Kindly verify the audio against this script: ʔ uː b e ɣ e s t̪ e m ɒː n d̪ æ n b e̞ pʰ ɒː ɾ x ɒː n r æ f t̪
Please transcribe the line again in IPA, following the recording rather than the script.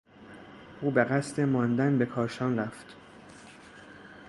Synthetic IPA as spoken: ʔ uː b e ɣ æ s t̪ e m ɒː n d̪ æ n b e̞ kʰ ɒː ɾ ʃ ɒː n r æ f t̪

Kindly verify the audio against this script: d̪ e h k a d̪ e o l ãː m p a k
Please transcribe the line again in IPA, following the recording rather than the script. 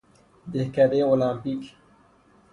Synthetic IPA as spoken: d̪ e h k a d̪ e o l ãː m p i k

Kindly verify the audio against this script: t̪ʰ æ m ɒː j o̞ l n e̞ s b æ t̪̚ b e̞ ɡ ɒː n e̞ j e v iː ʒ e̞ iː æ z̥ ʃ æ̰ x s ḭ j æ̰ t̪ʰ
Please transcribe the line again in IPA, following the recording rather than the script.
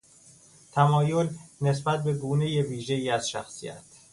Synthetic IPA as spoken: t̪ʰ æ m ɒː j o̞ l n e̞ s b æ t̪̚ b e̞ ɡ uː n e̞ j e v iː ʒ e̞ iː æ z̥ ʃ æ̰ x s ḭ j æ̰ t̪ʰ

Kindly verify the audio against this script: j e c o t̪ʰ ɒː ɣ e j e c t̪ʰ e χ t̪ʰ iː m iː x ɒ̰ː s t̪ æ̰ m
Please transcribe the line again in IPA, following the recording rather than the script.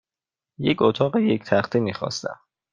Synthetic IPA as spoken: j e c o t̪ʰ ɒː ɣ e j e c t̪ʰ æ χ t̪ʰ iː m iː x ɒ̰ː s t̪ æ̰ m

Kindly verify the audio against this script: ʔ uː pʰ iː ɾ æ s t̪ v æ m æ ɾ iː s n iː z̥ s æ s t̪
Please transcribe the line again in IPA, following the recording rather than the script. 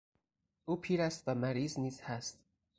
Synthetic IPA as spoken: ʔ uː pʰ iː ɾ æ s t̪ v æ m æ ɾ iː z n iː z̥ h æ s t̪

